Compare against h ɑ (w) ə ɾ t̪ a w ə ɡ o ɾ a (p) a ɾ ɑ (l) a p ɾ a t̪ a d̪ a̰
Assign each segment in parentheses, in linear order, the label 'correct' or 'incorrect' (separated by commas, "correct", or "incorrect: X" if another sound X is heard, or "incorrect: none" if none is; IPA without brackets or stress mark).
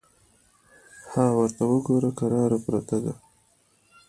correct, incorrect: k, incorrect: ɾ